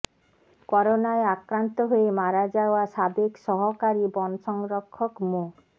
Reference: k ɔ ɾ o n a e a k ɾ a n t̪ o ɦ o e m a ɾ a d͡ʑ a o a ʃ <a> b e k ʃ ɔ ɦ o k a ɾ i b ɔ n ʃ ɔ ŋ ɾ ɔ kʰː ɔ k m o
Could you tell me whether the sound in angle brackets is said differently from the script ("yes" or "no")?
no